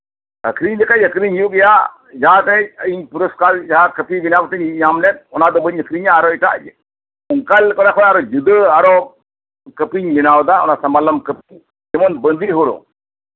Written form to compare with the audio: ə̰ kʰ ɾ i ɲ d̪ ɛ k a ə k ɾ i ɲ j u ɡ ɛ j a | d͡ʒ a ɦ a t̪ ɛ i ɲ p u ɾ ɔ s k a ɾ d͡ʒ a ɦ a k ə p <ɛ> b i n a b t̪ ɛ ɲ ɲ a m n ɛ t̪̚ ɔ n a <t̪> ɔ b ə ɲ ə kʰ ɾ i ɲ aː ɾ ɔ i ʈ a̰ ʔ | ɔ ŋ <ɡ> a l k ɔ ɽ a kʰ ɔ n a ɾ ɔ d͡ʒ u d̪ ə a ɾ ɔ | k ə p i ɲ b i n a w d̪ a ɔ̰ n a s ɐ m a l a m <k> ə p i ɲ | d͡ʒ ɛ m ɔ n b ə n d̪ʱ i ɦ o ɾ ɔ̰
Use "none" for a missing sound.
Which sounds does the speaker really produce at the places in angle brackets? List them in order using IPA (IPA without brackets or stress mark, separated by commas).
i, d̪, k, k